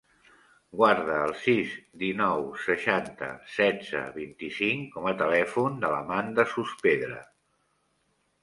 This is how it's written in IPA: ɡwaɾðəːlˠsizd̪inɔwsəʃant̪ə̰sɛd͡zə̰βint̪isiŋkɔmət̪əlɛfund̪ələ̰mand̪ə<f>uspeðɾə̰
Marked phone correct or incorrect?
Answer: incorrect